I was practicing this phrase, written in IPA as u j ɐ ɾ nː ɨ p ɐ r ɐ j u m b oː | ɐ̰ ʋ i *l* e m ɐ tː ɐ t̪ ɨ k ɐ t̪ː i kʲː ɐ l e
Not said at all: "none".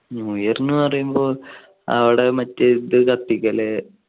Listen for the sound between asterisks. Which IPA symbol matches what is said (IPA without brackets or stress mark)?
ɽ